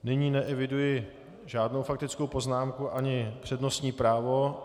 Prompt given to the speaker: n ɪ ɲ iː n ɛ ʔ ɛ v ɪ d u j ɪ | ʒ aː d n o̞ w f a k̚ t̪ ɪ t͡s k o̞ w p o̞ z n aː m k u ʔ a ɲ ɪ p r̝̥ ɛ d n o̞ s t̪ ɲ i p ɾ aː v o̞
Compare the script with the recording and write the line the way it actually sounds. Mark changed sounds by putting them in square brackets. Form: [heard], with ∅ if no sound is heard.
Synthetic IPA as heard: n ɪ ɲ iː n ɛ ʔ ɛ v ɪ d u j ɪ | ʒ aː d n o̞ w f a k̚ t̪ ɪ t͡s k o̞ w p o̞ z n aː m k u ʔ a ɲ ɪ p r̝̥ ɛ d n o̞ s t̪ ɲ [iː] p ɾ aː v o̞